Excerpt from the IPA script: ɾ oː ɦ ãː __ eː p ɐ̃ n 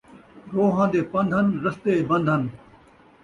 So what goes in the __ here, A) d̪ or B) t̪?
A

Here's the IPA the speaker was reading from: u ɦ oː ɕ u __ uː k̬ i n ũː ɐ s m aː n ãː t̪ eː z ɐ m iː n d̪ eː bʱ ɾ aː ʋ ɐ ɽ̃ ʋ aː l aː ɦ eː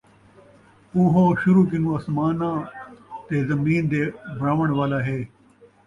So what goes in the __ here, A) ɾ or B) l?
A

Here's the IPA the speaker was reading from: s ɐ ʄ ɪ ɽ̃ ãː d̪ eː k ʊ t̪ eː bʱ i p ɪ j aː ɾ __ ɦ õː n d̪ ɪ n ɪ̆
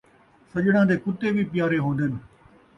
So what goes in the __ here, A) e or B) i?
A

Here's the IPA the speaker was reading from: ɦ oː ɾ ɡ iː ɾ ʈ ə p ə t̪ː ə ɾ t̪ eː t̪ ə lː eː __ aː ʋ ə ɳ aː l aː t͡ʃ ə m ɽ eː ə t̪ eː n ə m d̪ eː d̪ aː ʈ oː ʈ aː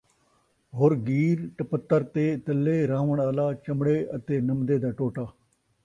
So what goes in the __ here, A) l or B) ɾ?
B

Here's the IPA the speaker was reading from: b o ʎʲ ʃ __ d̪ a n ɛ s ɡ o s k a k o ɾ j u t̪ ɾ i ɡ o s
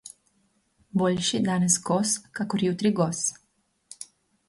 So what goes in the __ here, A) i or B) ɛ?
A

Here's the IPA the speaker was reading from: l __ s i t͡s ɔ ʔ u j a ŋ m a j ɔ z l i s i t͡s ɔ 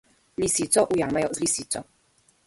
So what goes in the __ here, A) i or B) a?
A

